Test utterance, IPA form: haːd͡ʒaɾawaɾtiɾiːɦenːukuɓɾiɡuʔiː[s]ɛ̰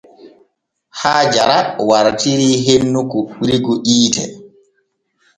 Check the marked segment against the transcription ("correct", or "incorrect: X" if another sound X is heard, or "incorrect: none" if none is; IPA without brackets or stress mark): incorrect: t